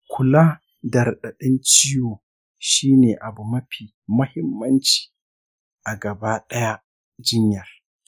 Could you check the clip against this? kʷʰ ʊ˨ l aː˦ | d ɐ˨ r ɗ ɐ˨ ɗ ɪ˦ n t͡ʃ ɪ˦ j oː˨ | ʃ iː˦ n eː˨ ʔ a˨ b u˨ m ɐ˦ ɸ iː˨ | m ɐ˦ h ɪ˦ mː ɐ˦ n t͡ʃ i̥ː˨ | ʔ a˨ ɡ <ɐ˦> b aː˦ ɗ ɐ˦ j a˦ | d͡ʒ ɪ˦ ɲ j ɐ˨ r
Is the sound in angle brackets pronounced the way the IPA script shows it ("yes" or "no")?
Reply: no